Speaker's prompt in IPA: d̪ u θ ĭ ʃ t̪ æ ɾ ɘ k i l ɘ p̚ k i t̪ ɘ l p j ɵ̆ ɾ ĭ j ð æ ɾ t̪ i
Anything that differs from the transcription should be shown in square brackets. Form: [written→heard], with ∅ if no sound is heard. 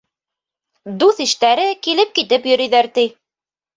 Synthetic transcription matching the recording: d̪ u θ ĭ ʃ t̪ æ ɾ ɘ k i l ɘ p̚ k i t̪ ɘ [l→∅] p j ɵ̆ ɾ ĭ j ð æ ɾ t̪ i